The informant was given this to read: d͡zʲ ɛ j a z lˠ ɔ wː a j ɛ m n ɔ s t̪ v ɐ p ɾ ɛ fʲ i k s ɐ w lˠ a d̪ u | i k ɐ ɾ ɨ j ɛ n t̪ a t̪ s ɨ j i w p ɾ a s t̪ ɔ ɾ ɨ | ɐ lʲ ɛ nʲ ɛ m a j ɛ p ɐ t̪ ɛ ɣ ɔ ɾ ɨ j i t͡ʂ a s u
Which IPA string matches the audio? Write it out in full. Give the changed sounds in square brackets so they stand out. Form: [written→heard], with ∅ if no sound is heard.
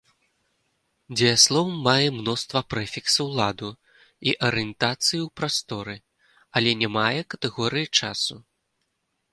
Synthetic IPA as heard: d͡zʲ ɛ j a [z→s] lˠ ɔ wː a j ɛ m n ɔ s t̪ v ɐ p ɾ ɛ fʲ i k s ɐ w lˠ a d̪ u | i [k→ʔ] ɐ ɾ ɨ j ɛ n t̪ a t̪ s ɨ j i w p ɾ a s t̪ ɔ ɾ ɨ | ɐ lʲ ɛ nʲ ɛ m a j ɛ [p→k] ɐ t̪ ɛ ɣ ɔ ɾ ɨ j i t͡ʂ a s u